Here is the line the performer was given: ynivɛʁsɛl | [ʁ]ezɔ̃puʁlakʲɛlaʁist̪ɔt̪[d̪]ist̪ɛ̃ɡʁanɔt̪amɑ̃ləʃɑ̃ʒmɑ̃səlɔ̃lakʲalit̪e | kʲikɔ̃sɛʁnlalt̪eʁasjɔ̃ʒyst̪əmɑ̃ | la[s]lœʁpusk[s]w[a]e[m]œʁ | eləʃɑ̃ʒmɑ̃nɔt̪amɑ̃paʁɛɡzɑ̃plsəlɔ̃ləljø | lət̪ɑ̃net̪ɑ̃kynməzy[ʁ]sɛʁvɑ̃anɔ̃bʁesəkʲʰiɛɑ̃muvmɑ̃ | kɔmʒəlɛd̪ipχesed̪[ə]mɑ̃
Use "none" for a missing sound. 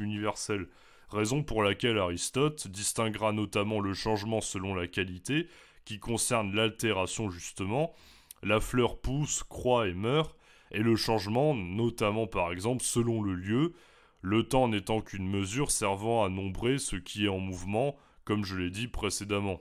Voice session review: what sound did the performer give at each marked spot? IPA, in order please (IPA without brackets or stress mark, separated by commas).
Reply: ʁ, d̪, f, χ, a, m, ʁ, a